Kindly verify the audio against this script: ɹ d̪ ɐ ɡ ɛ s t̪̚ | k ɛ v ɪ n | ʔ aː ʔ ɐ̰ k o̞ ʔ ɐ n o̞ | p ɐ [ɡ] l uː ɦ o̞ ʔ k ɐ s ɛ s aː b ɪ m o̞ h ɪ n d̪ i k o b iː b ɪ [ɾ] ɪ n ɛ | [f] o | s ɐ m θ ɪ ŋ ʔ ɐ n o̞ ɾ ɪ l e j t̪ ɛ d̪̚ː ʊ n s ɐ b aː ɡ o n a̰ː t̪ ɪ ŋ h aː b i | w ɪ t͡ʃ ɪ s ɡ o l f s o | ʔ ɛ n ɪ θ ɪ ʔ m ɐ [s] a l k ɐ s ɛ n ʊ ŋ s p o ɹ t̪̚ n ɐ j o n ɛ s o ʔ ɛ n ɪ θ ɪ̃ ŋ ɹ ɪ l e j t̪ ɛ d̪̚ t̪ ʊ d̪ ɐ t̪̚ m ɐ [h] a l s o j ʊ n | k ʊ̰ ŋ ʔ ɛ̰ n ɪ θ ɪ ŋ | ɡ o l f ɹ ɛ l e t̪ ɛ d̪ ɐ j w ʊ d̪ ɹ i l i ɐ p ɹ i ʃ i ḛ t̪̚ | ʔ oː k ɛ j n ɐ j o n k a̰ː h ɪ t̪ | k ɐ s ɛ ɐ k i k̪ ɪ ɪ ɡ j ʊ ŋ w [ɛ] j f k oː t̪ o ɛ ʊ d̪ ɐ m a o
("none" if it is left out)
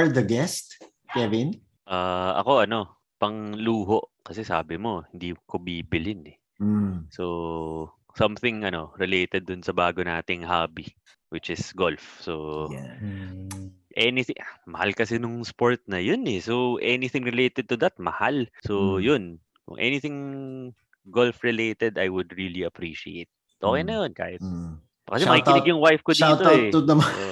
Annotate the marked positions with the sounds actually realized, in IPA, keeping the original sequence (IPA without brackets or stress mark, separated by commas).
ŋ, l, s, h, h, a